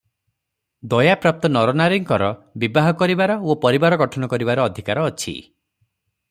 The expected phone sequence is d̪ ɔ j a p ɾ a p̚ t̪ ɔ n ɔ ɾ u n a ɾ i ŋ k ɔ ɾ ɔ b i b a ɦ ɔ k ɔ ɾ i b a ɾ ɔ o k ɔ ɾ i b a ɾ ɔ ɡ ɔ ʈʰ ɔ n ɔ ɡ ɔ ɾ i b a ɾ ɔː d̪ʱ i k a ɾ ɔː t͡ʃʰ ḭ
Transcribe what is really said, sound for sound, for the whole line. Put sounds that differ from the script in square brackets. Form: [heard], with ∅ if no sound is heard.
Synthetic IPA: d̪ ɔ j a p ɾ a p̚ t̪ ɔ n ɔ ɾ [ɔ] n a ɾ i ŋ k ɔ ɾ ɔ b i b a ɦ ɔ k ɔ ɾ i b a ɾ ɔ o [p] ɔ ɾ i b a ɾ ɔ ɡ ɔ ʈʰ ɔ n ɔ [k] ɔ ɾ i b a ɾ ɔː d̪ʱ i k a ɾ ɔː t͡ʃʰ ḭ